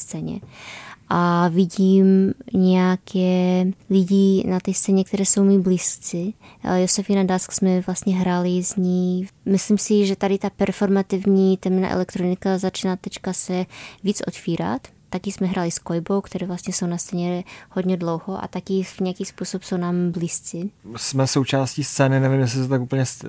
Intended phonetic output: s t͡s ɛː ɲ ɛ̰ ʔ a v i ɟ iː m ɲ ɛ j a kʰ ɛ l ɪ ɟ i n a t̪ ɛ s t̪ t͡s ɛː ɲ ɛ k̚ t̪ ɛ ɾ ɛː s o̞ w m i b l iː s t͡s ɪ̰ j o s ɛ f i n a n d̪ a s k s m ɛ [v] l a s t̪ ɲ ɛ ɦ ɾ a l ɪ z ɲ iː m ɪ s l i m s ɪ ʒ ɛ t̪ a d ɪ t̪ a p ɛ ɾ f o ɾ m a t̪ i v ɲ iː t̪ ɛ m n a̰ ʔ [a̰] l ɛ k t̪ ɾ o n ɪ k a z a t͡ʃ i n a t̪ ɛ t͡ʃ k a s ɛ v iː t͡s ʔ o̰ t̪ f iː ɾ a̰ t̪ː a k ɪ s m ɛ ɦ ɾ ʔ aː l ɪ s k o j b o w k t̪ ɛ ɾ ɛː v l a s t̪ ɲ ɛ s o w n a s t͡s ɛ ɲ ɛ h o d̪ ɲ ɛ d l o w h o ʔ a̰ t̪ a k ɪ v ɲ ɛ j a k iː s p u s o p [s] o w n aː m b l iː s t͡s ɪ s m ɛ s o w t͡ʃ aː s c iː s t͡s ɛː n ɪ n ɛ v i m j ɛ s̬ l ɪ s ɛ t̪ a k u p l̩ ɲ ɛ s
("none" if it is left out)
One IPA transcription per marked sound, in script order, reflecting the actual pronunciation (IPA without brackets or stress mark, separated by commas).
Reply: v, ɛ̰, s